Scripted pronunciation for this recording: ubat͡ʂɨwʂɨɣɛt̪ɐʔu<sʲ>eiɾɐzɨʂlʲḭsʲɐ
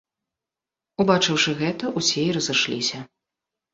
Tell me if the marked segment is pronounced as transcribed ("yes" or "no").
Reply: yes